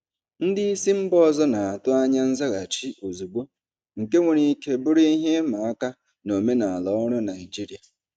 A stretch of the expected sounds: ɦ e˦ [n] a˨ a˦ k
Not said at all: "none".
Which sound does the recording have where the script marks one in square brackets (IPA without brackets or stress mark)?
m